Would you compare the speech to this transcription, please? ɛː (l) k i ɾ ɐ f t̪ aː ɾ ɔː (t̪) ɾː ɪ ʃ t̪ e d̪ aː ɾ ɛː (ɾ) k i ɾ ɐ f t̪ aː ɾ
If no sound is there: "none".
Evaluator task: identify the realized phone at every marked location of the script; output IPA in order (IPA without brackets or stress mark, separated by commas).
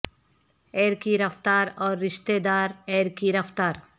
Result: ɾ, none, ɾ